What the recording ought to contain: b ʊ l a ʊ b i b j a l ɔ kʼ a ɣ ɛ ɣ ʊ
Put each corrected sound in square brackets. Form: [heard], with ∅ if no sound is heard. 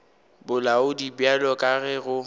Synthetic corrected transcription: b ʊ l a ʊ [d] i b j a l ɔ kʼ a ɣ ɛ ɣ ʊ